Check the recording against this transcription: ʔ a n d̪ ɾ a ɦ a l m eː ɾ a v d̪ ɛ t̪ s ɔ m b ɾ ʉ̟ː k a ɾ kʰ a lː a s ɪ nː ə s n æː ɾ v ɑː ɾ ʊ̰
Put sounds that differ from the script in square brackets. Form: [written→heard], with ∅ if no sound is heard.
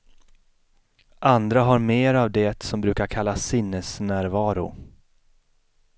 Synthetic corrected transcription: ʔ a n d̪ ɾ a ɦ a [l→ɾ] m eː ɾ a v d̪ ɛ t̪ s ɔ m b ɾ ʉ̟ː k a ɾ kʰ a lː a s ɪ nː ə s n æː ɾ v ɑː ɾ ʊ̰